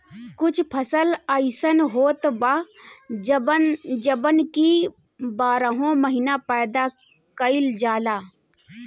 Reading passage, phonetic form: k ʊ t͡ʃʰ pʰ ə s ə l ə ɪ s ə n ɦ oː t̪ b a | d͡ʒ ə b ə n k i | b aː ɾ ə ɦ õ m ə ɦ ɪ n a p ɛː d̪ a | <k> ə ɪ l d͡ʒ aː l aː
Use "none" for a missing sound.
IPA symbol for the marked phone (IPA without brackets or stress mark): k